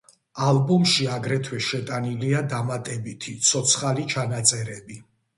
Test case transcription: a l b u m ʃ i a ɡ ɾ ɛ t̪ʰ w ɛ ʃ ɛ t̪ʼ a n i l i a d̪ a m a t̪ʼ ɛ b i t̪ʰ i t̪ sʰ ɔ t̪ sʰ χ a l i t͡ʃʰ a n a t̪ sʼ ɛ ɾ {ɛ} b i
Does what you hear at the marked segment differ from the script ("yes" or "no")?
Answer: no